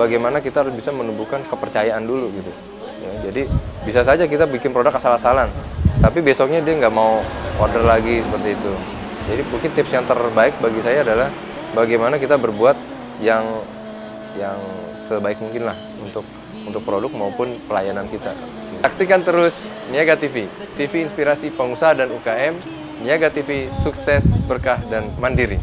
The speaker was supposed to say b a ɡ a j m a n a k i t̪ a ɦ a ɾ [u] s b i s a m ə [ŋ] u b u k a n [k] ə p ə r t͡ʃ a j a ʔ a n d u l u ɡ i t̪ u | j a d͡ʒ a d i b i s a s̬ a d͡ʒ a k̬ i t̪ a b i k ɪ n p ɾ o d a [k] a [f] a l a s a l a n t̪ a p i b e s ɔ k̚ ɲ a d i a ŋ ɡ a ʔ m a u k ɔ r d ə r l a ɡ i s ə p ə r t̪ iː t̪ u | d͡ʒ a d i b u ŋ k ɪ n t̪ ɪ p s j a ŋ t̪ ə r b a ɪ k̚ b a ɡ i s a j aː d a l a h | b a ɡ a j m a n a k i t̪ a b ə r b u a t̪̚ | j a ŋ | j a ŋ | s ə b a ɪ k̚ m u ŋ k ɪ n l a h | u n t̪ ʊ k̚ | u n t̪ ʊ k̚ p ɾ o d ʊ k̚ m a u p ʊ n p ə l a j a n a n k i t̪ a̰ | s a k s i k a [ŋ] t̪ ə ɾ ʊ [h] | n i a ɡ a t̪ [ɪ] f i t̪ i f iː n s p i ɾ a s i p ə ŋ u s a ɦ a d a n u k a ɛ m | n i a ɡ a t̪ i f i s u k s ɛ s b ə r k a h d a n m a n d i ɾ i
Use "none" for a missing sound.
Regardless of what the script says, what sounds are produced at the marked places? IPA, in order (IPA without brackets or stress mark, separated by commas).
ʊ, n, k, k, s, n, s, i